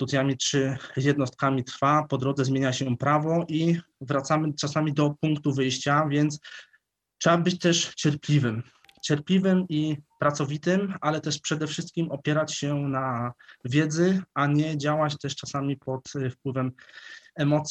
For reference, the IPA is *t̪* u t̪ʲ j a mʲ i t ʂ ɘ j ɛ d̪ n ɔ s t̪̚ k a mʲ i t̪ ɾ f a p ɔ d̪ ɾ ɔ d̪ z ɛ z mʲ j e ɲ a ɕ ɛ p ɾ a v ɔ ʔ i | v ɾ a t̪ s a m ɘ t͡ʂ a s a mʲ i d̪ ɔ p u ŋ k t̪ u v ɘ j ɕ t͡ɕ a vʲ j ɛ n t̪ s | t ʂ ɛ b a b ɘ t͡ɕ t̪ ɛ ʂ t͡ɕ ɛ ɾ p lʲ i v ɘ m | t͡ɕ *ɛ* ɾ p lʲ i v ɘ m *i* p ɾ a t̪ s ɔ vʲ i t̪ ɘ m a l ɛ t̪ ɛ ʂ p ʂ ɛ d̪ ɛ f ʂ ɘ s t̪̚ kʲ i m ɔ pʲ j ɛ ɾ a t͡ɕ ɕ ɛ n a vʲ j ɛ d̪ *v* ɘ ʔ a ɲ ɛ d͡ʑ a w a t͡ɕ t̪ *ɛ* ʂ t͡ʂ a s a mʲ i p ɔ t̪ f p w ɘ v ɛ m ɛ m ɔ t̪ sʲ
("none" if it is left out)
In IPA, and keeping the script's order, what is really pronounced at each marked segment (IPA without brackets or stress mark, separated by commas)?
t̪, ɛ, i, z, ɛ